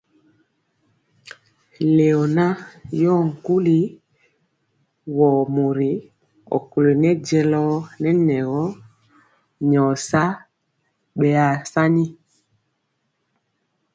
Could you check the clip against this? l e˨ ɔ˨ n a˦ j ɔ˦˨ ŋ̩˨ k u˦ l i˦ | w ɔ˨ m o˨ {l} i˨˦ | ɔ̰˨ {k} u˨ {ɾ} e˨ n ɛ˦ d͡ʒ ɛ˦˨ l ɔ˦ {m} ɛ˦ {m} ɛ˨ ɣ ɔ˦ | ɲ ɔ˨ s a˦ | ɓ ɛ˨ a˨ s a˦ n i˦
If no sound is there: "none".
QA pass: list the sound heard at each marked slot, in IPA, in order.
ɾ, k, l, n, n

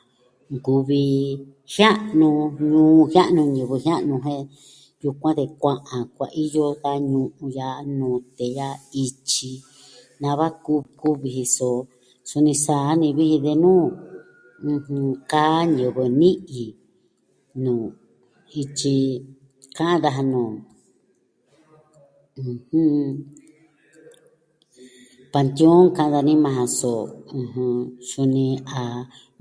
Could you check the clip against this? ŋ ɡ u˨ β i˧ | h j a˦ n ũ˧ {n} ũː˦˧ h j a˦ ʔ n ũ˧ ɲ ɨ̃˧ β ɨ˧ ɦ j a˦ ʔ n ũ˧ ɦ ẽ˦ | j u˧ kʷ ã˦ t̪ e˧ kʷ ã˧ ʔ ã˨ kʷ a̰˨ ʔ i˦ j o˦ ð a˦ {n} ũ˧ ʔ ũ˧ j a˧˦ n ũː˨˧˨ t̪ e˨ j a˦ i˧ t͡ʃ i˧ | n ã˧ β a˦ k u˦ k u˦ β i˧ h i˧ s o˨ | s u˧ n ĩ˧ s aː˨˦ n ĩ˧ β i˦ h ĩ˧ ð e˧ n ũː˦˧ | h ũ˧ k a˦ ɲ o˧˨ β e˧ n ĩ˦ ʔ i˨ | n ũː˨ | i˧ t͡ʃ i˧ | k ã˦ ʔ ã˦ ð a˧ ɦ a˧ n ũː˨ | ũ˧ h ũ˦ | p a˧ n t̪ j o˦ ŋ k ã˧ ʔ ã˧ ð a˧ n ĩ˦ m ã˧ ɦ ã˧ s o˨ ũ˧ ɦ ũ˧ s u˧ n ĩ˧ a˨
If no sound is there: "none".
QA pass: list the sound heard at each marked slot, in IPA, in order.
ɲ, ɲ

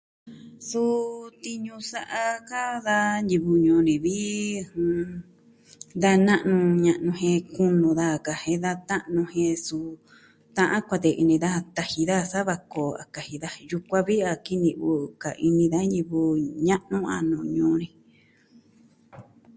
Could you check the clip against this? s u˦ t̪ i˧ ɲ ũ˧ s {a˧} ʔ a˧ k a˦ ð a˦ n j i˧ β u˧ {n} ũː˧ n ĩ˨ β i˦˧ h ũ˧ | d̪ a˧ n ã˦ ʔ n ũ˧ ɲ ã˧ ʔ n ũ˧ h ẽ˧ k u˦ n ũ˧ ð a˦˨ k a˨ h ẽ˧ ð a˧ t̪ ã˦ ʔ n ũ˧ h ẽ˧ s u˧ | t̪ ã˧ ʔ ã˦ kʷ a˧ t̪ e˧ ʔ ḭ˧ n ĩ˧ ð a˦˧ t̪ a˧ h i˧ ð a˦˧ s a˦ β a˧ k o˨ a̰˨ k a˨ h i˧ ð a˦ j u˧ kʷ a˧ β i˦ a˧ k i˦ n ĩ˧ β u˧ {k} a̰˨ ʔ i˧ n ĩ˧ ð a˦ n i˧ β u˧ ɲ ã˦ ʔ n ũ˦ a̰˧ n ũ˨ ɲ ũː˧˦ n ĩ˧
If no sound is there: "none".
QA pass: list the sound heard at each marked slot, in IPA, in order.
a˧, ɲ, k

